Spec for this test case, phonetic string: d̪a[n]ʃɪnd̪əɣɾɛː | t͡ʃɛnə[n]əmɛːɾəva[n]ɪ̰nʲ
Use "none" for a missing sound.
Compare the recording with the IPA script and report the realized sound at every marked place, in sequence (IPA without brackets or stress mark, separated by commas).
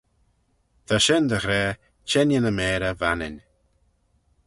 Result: none, n, n